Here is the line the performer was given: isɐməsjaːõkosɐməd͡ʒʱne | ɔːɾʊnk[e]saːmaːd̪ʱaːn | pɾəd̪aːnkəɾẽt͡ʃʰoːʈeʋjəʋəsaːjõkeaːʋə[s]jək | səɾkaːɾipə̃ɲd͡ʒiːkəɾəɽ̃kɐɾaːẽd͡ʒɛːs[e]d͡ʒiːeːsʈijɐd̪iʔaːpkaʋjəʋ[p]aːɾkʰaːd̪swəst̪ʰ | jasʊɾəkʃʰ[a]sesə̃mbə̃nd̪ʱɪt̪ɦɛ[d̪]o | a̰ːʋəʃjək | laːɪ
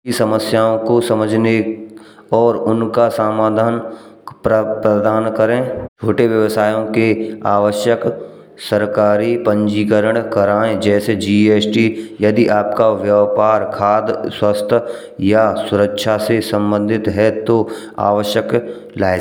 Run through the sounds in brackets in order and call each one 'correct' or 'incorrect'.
incorrect: a, incorrect: ʃ, correct, correct, correct, incorrect: t̪

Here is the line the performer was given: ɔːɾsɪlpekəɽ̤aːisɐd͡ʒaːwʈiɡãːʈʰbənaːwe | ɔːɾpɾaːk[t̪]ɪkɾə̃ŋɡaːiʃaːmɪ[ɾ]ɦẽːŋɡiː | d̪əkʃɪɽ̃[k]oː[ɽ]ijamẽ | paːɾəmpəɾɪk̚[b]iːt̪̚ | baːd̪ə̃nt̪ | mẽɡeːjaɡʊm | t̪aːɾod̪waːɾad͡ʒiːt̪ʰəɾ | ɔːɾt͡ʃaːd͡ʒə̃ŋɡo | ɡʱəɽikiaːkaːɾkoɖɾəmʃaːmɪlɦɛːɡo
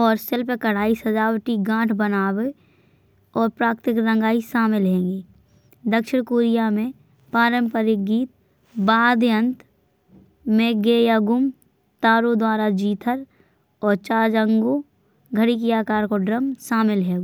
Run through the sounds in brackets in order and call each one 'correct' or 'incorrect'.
correct, incorrect: l, correct, incorrect: ɾ, incorrect: ɡ

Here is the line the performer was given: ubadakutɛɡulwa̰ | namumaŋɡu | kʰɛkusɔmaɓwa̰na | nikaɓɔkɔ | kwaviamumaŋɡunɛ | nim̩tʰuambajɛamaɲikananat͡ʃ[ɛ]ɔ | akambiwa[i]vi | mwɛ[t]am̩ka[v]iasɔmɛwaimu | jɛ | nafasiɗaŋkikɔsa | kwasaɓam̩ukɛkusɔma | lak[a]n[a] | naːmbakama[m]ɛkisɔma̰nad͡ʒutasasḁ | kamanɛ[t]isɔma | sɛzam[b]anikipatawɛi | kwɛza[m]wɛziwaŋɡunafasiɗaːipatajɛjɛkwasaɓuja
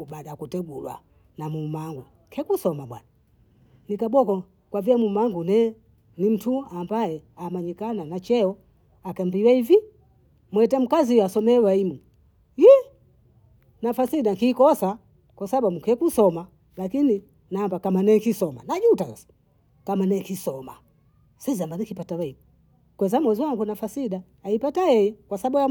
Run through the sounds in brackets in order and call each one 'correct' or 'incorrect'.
correct, correct, correct, incorrect: z, incorrect: i, incorrect: i, incorrect: n, incorrect: k, correct, correct

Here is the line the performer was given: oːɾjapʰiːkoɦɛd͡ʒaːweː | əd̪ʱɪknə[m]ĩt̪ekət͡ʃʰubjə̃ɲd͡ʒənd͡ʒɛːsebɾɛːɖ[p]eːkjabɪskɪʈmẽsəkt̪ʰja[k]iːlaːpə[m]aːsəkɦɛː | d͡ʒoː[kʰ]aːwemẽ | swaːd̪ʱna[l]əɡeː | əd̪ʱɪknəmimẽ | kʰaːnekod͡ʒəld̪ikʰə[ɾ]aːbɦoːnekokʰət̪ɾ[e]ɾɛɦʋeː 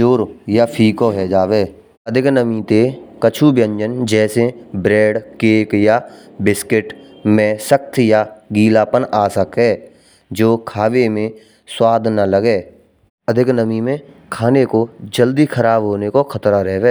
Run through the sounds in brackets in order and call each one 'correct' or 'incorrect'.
correct, incorrect: k, incorrect: ɡ, incorrect: n, correct, correct, correct, incorrect: a

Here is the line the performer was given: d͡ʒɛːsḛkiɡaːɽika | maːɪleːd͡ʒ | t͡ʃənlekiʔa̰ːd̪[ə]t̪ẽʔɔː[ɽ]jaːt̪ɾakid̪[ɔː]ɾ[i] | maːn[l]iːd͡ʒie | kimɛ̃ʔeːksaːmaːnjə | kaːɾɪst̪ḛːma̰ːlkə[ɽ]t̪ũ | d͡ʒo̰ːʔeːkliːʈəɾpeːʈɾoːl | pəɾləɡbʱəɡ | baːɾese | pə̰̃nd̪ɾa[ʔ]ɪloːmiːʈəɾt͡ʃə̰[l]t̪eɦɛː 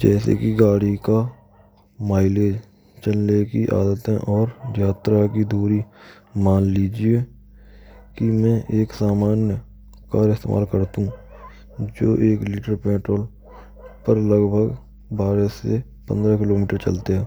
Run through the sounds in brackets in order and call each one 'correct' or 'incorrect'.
correct, incorrect: ɾ, incorrect: uː, correct, correct, incorrect: ɾ, incorrect: k, correct

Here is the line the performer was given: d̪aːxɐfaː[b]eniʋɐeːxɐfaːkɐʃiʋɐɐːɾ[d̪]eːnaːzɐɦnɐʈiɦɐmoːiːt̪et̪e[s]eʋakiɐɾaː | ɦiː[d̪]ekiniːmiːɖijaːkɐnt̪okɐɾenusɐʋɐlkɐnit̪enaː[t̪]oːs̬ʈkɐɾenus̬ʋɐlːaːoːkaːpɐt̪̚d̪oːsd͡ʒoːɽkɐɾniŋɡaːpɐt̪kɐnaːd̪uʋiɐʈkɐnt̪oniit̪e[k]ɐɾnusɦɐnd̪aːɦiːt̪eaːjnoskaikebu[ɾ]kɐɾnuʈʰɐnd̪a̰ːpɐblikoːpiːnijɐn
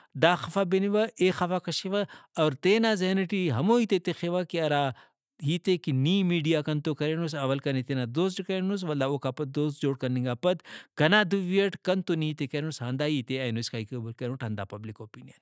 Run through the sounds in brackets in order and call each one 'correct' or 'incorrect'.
correct, incorrect: t̪, incorrect: x, incorrect: t̪, incorrect: d̪, correct, incorrect: l

